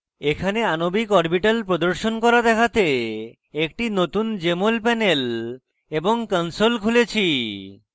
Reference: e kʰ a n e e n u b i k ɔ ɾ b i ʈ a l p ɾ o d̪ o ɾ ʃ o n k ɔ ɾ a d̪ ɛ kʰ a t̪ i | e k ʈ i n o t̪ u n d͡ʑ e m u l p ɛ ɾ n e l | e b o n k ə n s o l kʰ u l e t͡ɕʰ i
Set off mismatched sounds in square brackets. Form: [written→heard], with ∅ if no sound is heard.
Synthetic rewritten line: e kʰ a n e [e→a] n [u→o] b i k ɔ ɾ b i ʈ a l p ɾ o d̪ o ɾ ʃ o n k ɔ ɾ a d̪ ɛ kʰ a t̪ [i→e] | e k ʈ i n o t̪ u n d͡ʑ e m [u→o] l p ɛ [ɾ→∅] n e l | e b o [n→ŋ] k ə n s o l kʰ u l e t͡ɕʰ i